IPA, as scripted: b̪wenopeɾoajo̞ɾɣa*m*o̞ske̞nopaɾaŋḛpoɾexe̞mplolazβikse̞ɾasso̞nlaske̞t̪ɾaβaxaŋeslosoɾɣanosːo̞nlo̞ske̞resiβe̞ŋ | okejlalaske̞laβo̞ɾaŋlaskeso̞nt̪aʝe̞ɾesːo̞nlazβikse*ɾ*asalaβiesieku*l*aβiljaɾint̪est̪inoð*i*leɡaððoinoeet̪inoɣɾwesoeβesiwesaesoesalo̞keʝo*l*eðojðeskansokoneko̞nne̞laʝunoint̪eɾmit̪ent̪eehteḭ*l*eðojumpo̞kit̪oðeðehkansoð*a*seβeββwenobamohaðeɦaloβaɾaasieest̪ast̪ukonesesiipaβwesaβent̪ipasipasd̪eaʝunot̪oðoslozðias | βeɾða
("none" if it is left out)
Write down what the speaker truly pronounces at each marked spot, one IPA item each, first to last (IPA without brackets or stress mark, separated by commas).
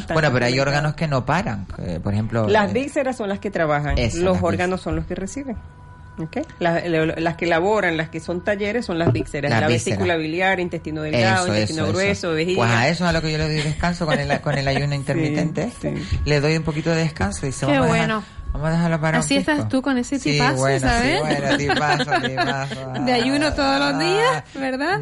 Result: n, ɾ, l, e, l, l, i